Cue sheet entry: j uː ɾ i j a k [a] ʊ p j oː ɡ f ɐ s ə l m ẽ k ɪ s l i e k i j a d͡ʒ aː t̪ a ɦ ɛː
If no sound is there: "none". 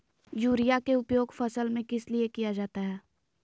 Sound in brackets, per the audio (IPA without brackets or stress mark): e